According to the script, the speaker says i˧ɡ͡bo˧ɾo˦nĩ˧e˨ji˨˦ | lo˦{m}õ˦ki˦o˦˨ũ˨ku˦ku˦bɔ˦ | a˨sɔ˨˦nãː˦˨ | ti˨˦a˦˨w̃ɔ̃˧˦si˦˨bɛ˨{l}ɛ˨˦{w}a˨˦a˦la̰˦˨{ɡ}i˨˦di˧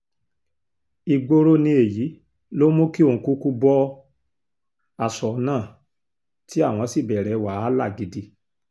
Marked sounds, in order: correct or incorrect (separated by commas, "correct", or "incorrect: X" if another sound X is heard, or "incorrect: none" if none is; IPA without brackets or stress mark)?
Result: correct, incorrect: ɾ, correct, correct